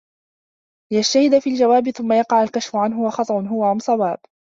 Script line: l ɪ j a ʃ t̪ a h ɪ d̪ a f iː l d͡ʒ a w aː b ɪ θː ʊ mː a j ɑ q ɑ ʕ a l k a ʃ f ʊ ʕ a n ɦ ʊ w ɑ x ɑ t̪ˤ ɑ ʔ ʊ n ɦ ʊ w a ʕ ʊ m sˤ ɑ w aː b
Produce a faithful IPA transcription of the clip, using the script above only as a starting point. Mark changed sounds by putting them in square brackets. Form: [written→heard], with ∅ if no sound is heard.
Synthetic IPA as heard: l ɪ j a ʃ t̪ a h ɪ d̪ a f iː l d͡ʒ a w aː b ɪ [θː→θ] ʊ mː a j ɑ q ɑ ʕ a l k a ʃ f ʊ ʕ a n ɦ ʊ w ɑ x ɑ t̪ˤ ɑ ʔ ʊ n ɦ ʊ w a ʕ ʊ m sˤ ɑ w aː b